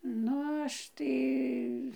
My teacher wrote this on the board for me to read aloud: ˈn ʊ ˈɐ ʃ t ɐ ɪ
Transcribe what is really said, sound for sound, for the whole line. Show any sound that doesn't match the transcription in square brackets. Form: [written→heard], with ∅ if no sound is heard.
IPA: ˈn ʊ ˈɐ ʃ t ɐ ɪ